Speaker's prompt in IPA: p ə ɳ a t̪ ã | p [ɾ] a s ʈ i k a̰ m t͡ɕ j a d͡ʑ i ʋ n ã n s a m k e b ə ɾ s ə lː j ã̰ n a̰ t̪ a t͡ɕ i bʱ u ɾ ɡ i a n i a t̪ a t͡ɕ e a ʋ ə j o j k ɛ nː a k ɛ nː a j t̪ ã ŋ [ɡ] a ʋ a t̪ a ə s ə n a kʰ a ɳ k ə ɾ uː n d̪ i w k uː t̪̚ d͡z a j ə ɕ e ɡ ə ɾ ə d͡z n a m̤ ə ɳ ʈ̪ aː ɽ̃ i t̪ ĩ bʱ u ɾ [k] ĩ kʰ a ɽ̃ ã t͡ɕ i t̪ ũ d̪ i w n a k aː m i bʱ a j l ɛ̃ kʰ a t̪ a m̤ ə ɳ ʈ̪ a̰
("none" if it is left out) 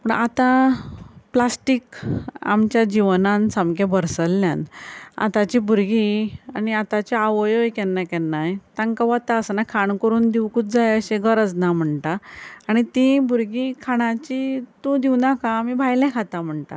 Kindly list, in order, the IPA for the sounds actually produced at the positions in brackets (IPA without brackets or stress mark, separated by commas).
l, k, ɡ